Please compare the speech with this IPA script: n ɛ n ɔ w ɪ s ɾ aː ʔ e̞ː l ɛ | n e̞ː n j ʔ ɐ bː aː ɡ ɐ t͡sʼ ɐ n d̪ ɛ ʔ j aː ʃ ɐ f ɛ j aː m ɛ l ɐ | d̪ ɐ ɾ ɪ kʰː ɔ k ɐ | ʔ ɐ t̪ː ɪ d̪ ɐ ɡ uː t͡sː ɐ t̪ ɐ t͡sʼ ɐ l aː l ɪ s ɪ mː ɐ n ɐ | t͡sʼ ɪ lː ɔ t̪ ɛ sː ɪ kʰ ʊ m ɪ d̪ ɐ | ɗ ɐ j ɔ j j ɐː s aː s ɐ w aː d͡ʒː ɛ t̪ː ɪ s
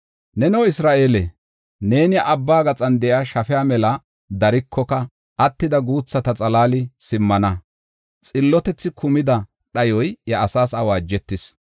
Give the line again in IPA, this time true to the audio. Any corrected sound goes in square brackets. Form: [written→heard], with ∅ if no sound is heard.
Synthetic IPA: n ɛ n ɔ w ɪ s ɾ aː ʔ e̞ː l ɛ | n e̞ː n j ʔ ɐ bː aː ɡ ɐ t͡sʼ ɐ n d̪ ɛ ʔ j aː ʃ ɐ f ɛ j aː m ɛ l ɐ | d̪ ɐ ɾ ɪ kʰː ɔ k ɐ | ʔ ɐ t̪ː ɪ d̪ ɐ ɡ uː t͡sː ɐ t̪ ɐ t͡sʼ ɐ l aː l ɪ s ɪ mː ɐ n ɐ | t͡sʼ ɪ lː ɔ t̪ ɛ [sː→t͡sː] ɪ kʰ ʊ m ɪ d̪ ɐ | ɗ ɐ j ɔ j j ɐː s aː s ɐ w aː d͡ʒː ɛ t̪ː ɪ s

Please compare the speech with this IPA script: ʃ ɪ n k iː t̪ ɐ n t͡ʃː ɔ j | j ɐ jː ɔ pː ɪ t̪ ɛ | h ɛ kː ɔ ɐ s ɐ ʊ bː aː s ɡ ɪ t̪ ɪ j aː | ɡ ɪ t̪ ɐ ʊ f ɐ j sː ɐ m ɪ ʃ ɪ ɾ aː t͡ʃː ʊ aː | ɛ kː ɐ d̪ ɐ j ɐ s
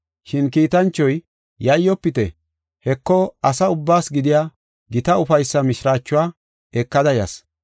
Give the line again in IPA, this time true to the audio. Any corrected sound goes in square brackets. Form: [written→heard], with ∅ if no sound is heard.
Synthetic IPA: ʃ ɪ n k iː t̪ ɐ n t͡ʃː ɔ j | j ɐ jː ɔ pː ɪ t̪ ɛ | h ɛ kː ɔ ɐ s ɐ ʊ bː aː s ɡ ɪ [t̪→d̪] ɪ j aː | ɡ ɪ t̪ ɐ ʊ f ɐ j sː ɐ m ɪ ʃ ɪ ɾ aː t͡ʃː ʊ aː | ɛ kː ɐ d̪ ɐ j ɐ s

